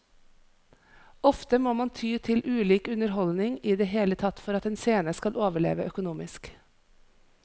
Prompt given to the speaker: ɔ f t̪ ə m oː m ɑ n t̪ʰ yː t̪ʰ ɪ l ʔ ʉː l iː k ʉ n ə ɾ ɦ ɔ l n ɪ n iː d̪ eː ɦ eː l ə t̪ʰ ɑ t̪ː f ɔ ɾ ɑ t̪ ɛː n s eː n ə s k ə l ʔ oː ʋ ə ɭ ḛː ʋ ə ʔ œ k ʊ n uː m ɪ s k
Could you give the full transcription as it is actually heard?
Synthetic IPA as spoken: ɔ f t̪ ə m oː m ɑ n t̪ʰ yː t̪ʰ ɪ l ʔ ʉː l iː k ʉ n ə ɾ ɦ ɔ l n ɪ ŋ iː d̪ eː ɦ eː l ə t̪ʰ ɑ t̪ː f ɔ ɾ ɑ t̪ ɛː n s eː n ə s k ɑ l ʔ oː ʋ ə ɭ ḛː ʋ ə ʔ œ k ʊ n uː m ɪ s k